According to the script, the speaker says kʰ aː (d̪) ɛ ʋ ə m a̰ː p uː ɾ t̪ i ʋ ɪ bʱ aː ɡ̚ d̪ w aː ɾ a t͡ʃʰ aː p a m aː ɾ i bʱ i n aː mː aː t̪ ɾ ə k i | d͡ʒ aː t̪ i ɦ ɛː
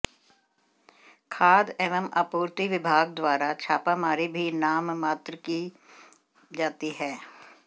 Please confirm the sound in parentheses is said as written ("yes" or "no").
yes